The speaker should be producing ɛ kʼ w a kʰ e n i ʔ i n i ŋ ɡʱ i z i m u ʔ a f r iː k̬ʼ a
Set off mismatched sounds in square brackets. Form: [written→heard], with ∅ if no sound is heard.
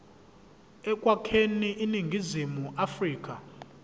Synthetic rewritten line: ɛ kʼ w a kʰ e n i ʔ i n i ŋ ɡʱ i z i m u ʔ a f r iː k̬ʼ a